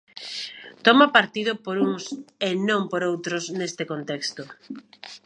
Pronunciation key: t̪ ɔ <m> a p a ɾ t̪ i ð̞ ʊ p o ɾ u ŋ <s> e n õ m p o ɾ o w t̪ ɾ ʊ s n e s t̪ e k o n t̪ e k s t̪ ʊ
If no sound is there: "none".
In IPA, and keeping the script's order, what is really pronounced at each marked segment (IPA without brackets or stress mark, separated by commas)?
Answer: m, s